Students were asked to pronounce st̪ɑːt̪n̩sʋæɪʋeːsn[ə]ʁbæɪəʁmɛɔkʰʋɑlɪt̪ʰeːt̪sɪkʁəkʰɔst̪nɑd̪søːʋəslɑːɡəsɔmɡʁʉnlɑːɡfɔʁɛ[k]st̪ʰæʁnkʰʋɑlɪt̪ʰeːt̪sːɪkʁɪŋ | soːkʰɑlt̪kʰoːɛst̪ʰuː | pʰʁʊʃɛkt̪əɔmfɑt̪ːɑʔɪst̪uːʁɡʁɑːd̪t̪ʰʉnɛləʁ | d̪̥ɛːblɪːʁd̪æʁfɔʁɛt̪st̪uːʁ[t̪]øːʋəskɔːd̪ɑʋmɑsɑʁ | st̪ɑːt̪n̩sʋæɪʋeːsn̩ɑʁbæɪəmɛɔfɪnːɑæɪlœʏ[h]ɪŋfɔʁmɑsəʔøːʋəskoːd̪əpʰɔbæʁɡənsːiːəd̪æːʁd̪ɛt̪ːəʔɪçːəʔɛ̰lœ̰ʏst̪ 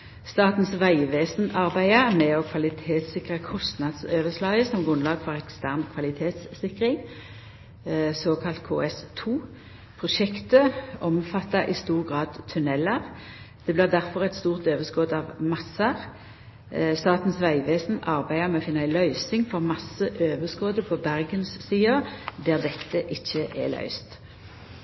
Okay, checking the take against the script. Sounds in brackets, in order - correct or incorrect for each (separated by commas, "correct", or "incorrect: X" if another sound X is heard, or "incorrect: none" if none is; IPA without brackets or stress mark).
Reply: incorrect: ɑ, correct, correct, incorrect: s